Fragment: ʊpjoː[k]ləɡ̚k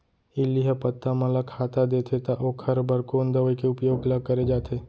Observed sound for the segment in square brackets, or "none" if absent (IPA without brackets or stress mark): ɡ